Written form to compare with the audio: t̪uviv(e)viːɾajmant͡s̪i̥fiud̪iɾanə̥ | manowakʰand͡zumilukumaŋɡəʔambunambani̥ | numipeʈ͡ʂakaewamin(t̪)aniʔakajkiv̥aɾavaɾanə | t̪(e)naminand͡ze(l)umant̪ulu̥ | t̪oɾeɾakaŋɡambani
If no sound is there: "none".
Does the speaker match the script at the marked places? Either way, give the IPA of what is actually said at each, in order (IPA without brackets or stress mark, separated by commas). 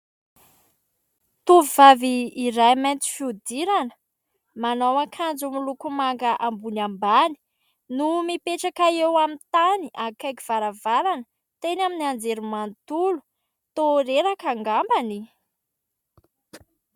a, t̪, e, ɾ